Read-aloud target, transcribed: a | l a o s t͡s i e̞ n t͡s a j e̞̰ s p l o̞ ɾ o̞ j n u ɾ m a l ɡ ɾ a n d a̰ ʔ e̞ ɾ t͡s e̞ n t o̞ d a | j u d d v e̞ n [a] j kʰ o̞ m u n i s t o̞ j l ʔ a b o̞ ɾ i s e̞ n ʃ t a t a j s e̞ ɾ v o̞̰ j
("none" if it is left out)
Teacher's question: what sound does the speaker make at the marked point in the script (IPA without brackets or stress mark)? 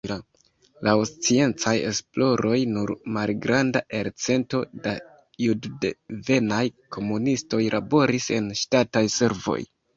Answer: a